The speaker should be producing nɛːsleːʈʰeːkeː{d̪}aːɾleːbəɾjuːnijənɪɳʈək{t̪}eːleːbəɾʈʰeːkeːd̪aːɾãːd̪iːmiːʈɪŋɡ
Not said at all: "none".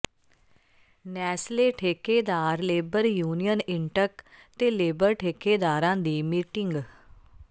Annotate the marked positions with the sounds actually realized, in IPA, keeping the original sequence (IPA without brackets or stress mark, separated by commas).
d̪, t̪